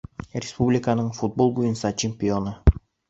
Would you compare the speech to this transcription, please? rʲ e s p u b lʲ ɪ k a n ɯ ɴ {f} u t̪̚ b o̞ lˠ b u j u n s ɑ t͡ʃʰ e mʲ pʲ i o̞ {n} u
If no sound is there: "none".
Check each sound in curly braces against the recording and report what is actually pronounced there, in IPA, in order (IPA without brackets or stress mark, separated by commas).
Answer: f, n